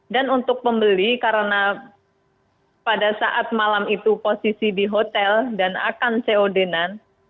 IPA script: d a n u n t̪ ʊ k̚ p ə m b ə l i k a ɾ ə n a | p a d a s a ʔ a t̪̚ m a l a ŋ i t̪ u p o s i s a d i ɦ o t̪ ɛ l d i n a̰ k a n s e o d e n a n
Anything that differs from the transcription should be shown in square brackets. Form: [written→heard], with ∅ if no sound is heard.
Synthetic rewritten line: d a n u n t̪ ʊ k̚ p ə m b ə l i k a ɾ ə n a | p a d a s a ʔ a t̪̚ m a l a [ŋ→m] i t̪ u p o s i s [a→i] d i ɦ o t̪ ɛ l d [i→a] n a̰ k a n s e o d e n a n